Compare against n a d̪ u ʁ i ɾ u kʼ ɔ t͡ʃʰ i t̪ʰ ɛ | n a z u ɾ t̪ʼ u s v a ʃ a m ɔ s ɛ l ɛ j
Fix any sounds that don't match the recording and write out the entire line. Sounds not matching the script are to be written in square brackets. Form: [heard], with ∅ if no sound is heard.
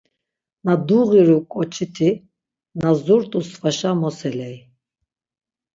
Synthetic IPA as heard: n a d̪ u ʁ i ɾ u kʼ ɔ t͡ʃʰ i t̪ʰ [i] | n a z u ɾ t̪ʼ u s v a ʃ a m ɔ s ɛ l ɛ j